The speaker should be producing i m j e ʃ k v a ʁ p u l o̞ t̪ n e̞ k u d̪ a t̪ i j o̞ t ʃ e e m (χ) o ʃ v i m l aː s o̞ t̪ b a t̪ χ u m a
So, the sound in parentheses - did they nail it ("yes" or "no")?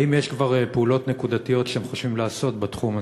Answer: yes